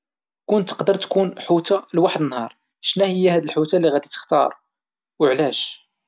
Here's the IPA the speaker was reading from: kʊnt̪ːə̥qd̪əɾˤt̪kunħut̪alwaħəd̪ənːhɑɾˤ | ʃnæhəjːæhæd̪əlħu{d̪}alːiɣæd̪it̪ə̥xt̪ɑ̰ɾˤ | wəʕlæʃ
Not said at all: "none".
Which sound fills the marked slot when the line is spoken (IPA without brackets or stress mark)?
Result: t̪